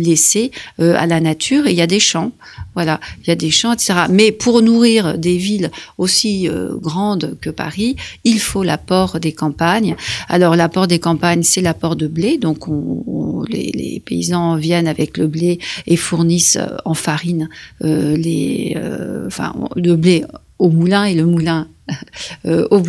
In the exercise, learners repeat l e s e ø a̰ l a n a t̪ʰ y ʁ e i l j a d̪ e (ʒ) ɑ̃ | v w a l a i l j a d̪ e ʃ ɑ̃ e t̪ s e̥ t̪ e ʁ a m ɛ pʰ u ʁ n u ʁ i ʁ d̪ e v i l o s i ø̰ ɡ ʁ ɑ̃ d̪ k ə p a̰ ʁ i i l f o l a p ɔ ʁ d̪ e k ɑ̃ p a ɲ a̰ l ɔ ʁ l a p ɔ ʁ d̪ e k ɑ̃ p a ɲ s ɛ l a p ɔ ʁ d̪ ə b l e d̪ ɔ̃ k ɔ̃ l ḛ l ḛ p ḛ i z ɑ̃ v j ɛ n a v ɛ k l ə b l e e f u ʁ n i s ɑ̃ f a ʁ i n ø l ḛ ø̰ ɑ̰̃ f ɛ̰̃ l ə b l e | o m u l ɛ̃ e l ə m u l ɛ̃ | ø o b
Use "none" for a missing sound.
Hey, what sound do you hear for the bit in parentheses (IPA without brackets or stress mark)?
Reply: ʃ